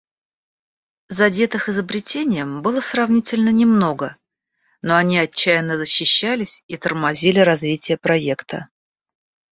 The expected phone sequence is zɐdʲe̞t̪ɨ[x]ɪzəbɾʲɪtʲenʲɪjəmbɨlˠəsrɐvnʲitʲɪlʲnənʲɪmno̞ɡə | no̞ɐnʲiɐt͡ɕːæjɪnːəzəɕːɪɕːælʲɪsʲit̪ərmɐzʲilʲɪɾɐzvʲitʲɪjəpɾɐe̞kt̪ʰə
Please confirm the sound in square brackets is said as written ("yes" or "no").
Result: yes